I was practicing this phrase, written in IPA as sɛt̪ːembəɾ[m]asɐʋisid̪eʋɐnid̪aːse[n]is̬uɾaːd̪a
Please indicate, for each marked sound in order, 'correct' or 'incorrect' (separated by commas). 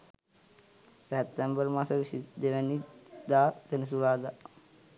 correct, correct